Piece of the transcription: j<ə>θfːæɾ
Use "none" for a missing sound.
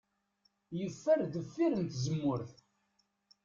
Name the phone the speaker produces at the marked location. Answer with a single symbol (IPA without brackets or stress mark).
ə